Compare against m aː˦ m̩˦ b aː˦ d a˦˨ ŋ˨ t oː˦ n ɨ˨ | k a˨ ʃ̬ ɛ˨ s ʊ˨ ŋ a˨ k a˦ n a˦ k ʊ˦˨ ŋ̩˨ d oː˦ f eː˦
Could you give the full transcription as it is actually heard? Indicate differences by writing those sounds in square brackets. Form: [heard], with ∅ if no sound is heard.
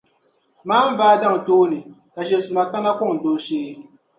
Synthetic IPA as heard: m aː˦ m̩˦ [v] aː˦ d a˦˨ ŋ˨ t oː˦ n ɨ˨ | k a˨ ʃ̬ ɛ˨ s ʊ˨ [m] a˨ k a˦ n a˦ k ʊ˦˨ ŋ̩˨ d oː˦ [ʃ] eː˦